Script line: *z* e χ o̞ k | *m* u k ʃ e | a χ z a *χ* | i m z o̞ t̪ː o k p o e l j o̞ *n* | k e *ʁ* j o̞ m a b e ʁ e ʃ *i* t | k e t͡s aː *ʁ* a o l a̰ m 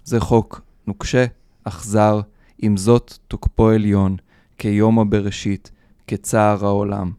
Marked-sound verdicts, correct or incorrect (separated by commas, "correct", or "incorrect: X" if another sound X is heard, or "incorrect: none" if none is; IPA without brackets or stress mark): correct, incorrect: n, incorrect: ʁ, correct, incorrect: none, correct, correct